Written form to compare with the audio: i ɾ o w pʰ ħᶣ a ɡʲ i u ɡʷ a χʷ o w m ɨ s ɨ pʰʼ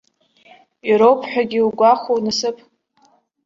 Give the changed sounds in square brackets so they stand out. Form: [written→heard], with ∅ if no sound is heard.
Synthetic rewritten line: i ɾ o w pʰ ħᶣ a ɡʲ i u ɡʷ a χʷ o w [m→n] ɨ s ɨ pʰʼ